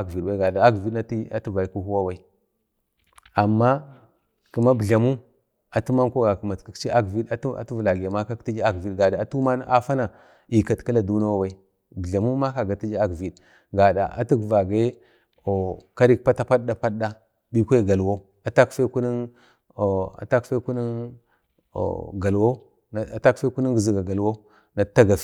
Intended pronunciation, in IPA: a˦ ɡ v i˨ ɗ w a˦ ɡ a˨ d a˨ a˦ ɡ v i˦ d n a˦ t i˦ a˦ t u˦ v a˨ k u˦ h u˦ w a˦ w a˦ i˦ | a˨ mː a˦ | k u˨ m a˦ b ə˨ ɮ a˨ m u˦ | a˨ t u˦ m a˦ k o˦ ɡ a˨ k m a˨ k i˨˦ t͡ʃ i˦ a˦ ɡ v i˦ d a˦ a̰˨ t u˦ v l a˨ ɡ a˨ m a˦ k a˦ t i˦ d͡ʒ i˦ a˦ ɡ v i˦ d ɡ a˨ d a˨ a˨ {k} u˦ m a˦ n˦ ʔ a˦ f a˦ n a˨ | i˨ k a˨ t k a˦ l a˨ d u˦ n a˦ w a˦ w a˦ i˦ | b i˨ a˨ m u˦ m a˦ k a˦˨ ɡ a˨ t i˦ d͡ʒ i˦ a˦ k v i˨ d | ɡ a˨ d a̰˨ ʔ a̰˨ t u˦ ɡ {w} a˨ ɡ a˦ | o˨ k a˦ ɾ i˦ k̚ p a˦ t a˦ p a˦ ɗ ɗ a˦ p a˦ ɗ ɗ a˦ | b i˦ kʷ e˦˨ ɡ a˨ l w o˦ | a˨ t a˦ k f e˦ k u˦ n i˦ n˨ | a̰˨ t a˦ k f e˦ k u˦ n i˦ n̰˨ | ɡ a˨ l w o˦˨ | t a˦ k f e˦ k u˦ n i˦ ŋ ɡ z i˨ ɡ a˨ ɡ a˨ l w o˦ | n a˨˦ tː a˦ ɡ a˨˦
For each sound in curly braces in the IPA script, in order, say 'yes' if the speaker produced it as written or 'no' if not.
no, no

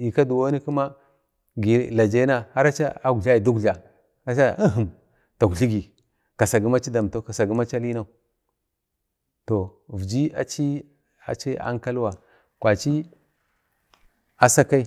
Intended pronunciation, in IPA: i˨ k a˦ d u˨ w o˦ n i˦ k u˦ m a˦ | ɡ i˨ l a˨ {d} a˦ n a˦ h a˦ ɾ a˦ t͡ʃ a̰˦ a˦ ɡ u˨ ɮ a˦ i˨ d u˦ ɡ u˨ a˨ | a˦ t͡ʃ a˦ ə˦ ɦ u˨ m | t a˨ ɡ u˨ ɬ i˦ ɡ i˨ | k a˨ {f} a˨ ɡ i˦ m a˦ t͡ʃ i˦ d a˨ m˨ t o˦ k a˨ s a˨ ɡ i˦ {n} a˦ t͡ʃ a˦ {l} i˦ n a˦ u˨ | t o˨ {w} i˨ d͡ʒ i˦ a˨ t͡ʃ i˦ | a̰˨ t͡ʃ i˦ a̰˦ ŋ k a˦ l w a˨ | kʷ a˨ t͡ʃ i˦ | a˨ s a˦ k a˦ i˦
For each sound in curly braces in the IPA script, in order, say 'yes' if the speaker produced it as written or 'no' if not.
no, no, no, yes, no

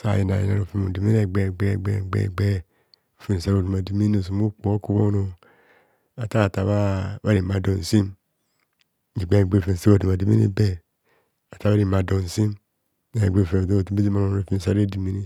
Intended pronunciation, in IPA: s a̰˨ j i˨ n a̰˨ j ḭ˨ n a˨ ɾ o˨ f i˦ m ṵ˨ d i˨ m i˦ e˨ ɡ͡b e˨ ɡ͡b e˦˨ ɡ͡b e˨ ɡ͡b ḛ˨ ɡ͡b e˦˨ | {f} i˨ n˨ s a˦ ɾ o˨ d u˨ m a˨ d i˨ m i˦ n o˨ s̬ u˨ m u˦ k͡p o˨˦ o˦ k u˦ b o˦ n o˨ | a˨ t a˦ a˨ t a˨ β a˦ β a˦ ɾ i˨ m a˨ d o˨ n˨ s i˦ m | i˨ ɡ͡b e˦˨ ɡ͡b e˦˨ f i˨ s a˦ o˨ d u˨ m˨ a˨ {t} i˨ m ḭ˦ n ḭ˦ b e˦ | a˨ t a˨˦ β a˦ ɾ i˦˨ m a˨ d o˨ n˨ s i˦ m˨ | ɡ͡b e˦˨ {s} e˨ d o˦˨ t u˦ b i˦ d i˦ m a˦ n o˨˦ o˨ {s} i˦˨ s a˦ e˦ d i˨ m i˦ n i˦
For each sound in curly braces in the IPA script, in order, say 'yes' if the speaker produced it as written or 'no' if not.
yes, no, no, no

